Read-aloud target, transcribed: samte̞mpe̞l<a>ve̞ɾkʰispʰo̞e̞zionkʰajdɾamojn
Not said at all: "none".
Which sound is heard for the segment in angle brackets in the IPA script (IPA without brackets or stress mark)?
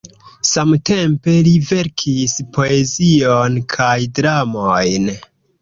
i